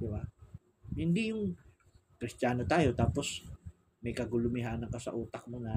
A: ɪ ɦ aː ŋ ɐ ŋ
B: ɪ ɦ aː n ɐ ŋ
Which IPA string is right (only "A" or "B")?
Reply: B